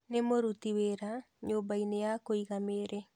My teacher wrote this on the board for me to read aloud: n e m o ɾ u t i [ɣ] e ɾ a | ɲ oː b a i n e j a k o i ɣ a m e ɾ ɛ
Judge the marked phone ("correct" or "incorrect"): incorrect